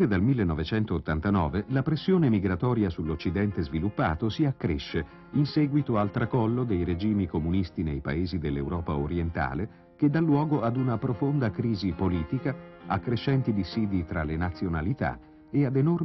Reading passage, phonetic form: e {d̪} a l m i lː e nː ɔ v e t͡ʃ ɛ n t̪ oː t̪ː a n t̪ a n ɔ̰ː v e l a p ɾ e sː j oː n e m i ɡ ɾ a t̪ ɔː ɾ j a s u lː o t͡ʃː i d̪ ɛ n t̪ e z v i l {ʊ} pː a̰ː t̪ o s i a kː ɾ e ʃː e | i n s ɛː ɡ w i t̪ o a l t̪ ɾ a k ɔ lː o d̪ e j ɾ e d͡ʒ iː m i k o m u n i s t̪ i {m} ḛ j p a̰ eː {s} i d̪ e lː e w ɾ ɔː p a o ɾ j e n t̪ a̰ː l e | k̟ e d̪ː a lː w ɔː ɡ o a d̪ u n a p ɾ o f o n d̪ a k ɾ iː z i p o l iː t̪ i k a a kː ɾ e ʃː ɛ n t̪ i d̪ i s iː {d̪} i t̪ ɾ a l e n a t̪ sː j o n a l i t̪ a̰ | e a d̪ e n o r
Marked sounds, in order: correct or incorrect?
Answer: correct, incorrect, incorrect, incorrect, correct

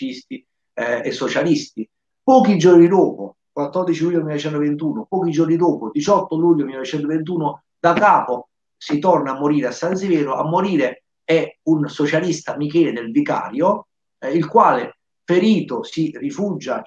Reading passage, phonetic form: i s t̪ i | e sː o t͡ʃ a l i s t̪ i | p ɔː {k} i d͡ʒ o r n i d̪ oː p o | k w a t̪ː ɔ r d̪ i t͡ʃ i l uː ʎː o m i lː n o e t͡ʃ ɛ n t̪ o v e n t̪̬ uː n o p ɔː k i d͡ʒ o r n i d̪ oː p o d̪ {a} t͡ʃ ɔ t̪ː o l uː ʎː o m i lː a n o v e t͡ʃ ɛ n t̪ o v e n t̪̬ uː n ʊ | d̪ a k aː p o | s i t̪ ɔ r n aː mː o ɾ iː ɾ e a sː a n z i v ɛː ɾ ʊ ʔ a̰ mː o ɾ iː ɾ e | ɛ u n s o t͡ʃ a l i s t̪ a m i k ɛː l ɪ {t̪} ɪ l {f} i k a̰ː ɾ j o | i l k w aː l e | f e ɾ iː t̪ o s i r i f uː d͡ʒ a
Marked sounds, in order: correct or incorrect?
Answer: correct, incorrect, incorrect, incorrect

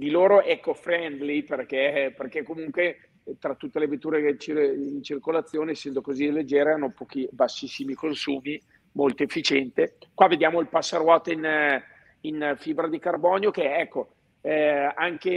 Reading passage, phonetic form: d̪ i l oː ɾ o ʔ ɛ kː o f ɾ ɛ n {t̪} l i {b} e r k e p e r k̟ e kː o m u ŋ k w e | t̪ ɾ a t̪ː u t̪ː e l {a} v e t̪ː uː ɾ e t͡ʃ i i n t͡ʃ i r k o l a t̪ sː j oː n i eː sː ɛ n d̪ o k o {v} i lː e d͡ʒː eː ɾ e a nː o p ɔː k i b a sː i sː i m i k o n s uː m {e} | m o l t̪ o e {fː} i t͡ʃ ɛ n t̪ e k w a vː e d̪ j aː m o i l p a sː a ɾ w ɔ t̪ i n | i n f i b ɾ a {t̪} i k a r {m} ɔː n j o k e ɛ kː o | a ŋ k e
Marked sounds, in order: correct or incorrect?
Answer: incorrect, incorrect, incorrect, incorrect, incorrect, correct, incorrect, incorrect

